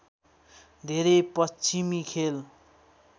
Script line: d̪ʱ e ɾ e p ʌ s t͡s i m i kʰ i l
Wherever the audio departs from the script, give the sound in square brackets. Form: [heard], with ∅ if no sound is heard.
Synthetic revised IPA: d̪ʱ e ɾ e p ʌ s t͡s i m i kʰ [e] l